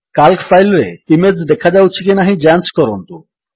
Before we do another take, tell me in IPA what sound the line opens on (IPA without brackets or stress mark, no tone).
k